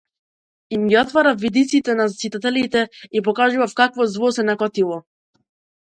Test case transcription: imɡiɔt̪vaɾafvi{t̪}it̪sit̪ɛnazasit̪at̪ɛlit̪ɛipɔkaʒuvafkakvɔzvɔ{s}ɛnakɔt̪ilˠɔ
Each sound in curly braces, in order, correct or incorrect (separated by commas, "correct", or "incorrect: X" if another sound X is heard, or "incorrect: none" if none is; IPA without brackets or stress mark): incorrect: d̪, correct